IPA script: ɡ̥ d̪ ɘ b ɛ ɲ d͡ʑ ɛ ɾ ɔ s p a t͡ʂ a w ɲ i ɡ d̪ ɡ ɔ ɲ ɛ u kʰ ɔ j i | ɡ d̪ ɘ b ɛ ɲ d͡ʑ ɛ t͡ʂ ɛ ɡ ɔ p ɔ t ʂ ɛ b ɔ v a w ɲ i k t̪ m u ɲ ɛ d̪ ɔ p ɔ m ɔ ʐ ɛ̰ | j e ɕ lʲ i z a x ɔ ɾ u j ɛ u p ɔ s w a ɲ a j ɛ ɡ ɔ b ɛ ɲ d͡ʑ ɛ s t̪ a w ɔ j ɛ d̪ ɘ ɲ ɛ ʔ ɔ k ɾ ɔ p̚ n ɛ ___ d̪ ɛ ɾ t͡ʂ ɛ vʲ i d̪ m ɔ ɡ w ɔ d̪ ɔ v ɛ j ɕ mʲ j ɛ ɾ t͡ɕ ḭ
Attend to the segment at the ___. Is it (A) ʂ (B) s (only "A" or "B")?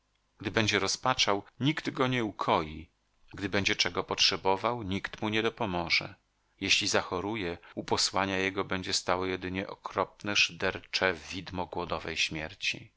A